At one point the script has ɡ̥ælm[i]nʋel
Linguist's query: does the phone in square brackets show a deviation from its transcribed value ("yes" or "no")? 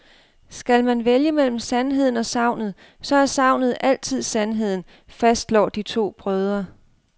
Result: yes